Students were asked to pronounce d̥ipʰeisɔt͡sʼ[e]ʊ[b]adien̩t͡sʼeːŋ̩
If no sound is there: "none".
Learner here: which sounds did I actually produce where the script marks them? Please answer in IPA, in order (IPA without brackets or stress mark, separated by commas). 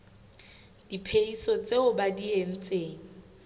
e, b